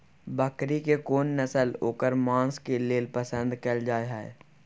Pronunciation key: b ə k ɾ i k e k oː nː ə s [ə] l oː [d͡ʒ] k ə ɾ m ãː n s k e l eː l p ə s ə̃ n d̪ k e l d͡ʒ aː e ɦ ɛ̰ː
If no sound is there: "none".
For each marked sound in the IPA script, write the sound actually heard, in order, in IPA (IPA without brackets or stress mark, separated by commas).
ə, none